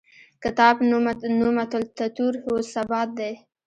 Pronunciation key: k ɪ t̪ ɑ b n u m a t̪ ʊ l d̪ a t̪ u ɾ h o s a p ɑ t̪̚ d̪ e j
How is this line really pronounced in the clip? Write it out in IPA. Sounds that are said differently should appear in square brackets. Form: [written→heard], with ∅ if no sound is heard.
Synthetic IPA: k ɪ t̪ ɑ b n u m a t̪ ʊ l [d̪→t̪] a t̪ u ɾ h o s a [p→b] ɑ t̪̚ d̪ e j